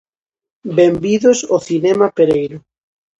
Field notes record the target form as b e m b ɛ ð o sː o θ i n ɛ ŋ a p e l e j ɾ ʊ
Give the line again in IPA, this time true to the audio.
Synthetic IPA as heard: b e m b i ð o s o θ i n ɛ m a p e ɾ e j ɾ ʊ